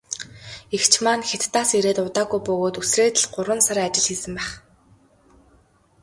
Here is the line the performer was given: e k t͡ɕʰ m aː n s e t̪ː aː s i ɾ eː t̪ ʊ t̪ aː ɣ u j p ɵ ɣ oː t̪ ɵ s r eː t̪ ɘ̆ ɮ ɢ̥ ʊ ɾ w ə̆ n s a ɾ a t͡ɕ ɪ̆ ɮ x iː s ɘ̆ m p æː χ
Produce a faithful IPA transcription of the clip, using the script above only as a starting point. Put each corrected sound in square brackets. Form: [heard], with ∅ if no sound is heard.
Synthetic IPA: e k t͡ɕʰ m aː n [x] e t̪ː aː s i ɾ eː t̪ ʊ t̪ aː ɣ u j p ɵ ɣ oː t̪ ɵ s r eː t̪ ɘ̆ ɮ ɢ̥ ʊ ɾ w ə̆ n s a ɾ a t͡ɕ ɪ̆ ɮ x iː s ɘ̆ m p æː χ